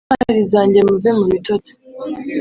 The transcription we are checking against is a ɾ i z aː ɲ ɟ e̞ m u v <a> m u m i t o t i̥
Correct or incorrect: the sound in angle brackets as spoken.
incorrect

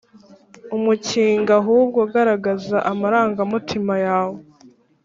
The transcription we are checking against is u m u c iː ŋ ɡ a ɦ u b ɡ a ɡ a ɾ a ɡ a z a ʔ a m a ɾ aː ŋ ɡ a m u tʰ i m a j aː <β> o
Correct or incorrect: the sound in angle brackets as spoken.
incorrect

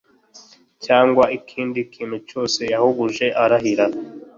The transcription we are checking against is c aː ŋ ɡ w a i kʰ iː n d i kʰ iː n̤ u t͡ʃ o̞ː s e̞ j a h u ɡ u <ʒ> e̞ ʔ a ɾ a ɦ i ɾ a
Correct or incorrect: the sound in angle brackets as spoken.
correct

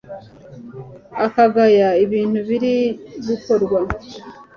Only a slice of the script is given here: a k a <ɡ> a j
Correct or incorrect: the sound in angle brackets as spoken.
correct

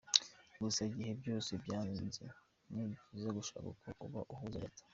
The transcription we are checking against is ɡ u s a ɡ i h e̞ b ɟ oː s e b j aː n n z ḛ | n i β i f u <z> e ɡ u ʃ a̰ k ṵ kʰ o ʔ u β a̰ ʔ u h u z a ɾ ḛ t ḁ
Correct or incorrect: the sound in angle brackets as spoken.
correct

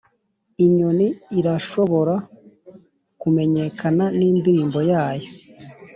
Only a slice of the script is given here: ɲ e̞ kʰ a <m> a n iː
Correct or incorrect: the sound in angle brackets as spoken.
incorrect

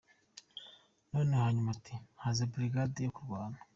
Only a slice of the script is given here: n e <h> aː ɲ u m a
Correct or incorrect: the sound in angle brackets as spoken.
correct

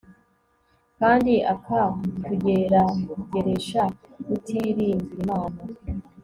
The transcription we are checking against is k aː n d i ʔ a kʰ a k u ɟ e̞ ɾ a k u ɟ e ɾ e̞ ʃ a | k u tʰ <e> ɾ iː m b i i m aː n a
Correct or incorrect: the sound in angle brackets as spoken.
incorrect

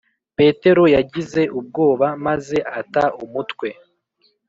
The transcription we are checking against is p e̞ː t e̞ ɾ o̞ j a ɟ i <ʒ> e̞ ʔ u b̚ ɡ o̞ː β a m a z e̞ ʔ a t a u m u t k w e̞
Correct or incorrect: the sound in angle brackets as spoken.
incorrect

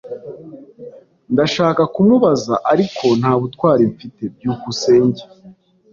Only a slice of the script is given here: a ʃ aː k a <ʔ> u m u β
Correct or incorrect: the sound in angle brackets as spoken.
incorrect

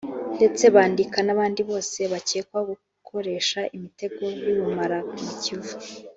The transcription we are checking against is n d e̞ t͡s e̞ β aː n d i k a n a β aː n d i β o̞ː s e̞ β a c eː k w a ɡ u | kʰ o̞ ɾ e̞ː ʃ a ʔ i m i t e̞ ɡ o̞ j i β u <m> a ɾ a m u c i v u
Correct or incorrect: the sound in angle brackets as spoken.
correct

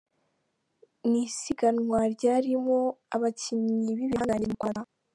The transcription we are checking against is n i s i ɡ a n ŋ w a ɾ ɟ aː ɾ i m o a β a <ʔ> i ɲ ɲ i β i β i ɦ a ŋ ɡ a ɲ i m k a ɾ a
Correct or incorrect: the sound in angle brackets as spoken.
incorrect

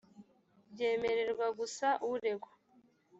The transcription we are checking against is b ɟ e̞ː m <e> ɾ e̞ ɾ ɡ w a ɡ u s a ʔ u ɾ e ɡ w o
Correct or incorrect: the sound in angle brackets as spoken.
correct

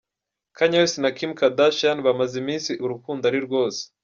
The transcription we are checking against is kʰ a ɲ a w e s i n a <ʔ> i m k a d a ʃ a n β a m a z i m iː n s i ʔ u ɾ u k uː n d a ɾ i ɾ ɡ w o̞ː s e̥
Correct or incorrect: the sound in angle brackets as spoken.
incorrect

